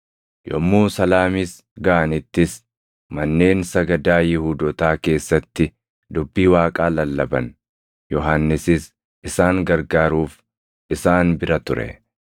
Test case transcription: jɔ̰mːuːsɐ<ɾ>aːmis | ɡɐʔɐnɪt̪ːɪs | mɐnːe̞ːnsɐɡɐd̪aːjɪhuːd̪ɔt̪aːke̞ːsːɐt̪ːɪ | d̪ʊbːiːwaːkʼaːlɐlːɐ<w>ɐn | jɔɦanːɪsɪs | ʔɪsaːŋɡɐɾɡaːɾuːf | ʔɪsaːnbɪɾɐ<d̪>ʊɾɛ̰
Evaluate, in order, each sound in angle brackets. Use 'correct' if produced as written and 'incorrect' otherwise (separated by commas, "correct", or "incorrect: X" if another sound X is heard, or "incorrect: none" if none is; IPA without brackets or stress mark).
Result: incorrect: l, incorrect: b, incorrect: t̪